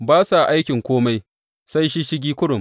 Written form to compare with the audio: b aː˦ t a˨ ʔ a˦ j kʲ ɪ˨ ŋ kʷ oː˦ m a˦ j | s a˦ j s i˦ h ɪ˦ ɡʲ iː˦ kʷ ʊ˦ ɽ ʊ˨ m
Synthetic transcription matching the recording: b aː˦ s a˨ ʔ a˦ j kʲ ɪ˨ ŋ kʷ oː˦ m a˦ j | s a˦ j ʃ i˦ ʃ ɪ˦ ɡʲ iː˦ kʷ ʊ˦ ɽ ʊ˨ m